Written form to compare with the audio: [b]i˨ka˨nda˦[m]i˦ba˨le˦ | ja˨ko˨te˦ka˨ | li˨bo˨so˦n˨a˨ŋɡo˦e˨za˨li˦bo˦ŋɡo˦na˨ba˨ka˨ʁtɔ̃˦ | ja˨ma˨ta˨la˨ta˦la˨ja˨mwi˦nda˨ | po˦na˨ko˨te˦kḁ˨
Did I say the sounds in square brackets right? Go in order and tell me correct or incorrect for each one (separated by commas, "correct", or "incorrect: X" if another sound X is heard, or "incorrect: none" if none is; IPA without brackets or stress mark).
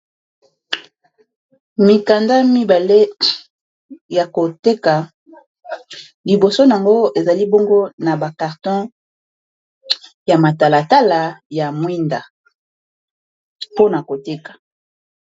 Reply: incorrect: m, correct